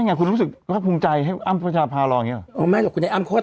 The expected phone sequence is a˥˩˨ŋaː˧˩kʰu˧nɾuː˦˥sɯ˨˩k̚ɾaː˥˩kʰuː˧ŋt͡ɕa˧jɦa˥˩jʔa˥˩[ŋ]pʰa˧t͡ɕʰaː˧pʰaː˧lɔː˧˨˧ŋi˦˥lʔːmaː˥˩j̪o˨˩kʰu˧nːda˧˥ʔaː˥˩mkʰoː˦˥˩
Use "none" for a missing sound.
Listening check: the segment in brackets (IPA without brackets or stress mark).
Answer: m